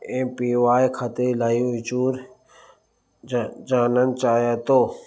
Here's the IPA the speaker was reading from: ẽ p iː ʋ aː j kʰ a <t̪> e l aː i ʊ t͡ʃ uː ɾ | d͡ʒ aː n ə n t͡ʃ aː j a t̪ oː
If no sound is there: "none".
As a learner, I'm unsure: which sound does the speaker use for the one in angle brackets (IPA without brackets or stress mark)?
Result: t̪